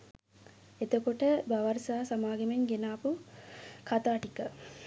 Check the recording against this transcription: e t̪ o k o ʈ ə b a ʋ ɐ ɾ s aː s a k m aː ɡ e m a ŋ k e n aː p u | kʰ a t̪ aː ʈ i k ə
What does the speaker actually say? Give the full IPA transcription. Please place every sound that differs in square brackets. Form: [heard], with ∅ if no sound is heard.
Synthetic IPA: e t̪ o k o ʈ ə b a ʋ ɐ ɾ s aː s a [∅] m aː ɡ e m [e] ŋ [ɡ] e n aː p u | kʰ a t̪ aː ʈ i k ə